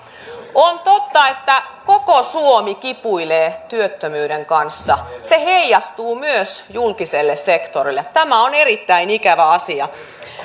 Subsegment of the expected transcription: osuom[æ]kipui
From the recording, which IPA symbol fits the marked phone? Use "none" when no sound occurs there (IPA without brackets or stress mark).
i